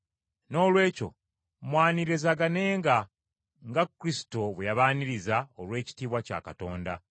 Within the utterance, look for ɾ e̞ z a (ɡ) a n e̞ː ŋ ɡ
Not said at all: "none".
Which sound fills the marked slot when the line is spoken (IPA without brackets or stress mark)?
ɡ